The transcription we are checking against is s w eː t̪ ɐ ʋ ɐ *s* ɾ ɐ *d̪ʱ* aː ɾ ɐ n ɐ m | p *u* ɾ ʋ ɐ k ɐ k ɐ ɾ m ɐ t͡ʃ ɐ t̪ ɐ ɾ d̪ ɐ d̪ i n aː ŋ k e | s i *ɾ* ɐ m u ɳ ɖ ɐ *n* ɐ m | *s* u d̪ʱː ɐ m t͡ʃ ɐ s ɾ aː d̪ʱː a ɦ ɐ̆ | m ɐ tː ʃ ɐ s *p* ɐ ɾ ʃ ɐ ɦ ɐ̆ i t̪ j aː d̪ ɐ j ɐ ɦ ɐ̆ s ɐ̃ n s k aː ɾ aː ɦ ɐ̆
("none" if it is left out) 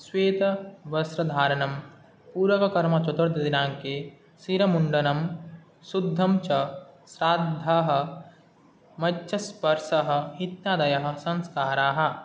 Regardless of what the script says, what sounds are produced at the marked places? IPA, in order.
s, d̪ʱ, uː, ɾ, n, s, p

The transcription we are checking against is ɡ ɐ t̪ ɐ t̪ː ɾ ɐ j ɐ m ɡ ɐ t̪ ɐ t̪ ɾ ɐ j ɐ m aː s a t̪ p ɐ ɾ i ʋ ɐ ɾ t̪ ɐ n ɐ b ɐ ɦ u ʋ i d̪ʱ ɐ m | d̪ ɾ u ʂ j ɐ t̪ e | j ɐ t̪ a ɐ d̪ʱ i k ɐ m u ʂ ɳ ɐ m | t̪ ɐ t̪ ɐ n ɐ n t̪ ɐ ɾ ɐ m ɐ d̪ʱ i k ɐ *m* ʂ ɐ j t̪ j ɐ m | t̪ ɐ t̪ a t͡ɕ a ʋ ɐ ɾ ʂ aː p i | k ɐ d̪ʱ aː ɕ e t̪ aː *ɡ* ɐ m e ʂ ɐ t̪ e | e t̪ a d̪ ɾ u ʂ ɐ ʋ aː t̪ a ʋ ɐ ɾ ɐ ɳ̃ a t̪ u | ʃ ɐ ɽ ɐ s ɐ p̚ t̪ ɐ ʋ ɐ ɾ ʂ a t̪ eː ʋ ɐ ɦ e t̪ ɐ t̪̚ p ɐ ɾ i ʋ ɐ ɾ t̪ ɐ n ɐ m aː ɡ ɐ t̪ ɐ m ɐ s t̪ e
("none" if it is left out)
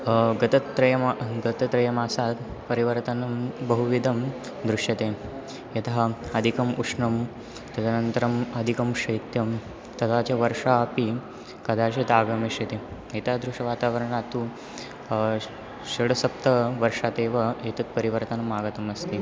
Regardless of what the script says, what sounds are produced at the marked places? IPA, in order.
m, ɡ

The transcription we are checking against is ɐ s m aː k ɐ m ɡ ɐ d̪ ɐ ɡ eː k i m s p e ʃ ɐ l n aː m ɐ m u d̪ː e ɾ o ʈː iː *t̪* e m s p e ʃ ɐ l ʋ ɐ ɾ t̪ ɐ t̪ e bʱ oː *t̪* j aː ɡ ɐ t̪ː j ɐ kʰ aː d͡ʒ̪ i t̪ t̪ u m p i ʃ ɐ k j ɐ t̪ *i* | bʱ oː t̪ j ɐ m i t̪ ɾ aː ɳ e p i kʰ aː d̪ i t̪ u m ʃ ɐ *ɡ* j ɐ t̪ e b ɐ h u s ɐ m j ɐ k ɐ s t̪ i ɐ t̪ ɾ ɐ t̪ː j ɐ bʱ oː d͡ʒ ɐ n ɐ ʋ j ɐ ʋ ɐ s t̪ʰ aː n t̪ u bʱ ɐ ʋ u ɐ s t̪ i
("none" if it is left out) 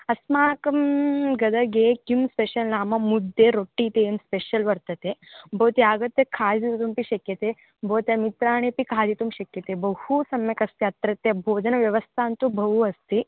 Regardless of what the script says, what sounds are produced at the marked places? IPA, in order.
t̪, t̪, e, k

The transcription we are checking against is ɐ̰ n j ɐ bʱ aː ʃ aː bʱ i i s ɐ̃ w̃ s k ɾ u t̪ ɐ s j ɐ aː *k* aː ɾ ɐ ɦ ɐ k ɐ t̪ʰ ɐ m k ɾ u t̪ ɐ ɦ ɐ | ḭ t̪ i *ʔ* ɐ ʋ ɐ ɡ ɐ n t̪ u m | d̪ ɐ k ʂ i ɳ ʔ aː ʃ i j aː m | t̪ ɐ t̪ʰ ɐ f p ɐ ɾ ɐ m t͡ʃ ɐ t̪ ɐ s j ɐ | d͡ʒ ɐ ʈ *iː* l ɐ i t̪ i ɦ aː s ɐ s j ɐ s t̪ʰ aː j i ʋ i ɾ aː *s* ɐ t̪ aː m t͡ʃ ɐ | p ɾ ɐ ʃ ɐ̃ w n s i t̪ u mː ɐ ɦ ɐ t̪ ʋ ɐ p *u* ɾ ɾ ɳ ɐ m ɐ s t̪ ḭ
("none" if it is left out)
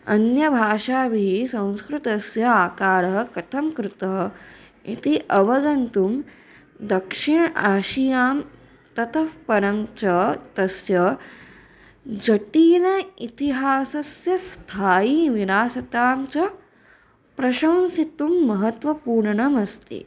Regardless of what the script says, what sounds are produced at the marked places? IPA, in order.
k, ʔ, iː, s, uː

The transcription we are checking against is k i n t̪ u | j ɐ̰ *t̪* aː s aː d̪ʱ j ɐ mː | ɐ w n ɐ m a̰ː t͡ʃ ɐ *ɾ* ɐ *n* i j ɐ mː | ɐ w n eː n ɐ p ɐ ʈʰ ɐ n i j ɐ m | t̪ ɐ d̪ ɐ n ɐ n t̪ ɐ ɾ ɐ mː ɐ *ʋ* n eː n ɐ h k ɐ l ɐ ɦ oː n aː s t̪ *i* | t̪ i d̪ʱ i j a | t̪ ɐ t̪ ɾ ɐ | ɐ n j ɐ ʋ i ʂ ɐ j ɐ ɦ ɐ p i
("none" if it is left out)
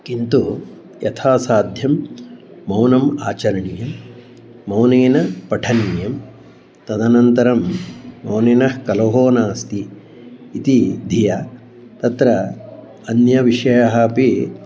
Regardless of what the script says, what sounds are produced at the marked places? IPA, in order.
t̪ʰ, ɾ, ɳ, w, iː

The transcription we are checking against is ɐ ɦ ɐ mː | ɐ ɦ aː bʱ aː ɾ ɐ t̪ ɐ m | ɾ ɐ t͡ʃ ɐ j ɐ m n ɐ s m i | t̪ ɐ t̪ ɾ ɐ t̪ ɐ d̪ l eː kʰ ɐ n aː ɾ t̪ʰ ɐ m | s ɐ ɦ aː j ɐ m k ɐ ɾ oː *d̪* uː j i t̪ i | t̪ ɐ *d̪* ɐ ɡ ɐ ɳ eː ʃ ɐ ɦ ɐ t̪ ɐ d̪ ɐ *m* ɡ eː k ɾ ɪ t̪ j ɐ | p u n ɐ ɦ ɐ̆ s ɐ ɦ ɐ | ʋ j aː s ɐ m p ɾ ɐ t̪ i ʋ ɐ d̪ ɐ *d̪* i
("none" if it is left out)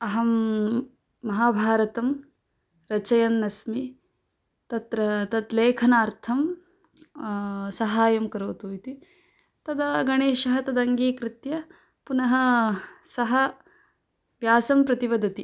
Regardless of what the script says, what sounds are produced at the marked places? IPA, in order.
t̪, d̪, ŋ, t̪

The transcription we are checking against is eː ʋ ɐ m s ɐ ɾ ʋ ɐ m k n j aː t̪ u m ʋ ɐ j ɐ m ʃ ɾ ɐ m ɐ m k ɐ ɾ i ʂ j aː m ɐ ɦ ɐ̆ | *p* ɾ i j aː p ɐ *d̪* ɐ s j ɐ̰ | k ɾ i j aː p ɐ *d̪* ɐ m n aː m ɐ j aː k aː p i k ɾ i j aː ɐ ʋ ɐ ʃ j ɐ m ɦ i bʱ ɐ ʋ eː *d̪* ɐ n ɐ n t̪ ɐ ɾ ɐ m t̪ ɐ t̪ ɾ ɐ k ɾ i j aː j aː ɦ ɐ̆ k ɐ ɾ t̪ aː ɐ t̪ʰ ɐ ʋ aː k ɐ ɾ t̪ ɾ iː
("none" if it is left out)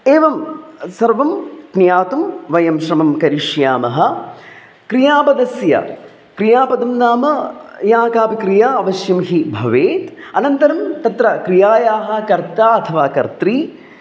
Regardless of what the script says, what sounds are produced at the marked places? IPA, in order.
k, d̪, d̪, t̪

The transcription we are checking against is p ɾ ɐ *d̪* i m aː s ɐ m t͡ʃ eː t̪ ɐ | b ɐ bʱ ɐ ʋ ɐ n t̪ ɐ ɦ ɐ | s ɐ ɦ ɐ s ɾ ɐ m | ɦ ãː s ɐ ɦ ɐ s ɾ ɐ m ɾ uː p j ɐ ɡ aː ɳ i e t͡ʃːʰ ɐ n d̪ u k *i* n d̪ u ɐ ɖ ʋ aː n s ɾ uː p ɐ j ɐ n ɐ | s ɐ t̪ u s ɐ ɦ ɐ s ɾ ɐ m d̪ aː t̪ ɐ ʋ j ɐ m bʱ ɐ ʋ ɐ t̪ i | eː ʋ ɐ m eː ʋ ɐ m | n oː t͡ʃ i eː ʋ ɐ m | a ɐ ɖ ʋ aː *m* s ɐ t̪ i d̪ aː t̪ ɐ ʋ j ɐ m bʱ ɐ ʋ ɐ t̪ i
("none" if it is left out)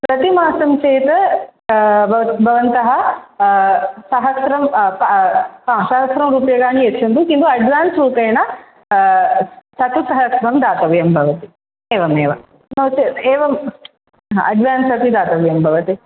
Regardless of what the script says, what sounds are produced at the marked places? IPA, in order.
t̪, i, n

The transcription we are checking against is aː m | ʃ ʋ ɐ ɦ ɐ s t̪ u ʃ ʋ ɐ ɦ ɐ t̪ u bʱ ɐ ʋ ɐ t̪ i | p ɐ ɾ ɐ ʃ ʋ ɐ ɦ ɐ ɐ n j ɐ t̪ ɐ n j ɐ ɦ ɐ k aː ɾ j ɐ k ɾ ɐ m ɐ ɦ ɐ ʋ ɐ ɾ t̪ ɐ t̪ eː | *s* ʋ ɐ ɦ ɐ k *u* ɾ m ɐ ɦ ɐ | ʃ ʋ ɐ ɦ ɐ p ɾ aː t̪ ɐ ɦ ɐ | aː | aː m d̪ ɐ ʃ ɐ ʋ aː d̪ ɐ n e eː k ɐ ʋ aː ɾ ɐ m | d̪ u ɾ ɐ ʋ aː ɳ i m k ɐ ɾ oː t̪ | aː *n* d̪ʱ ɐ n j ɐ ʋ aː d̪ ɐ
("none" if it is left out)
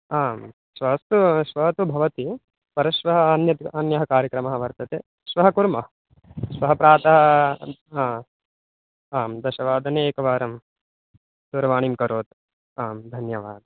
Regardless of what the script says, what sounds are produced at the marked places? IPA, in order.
ʃ, u, m

